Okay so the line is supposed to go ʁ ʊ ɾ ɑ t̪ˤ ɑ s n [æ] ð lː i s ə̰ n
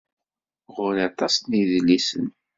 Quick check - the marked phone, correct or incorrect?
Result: incorrect: i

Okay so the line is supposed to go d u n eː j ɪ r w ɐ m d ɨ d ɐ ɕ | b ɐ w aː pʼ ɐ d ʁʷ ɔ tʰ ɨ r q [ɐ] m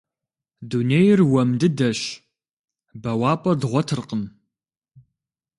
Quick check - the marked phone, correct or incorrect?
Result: incorrect: ə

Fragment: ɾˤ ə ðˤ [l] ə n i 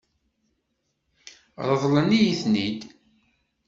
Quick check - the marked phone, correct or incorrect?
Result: correct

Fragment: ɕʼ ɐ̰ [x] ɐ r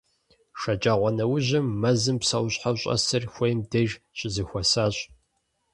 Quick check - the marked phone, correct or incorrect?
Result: incorrect: s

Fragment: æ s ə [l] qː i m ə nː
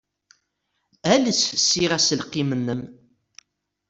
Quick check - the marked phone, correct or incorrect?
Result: correct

